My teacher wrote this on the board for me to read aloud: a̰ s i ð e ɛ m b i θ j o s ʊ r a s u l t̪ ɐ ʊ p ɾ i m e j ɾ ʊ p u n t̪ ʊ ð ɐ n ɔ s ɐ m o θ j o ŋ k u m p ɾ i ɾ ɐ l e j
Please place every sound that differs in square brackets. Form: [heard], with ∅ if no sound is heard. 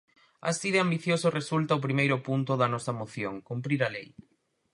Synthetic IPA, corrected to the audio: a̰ s i ð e [a] m b i θ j o s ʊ r [e] s u l t̪ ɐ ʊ p ɾ i m e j ɾ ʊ p u n t̪ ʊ ð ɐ n ɔ s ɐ m o θ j o ŋ k u m p ɾ i ɾ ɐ l e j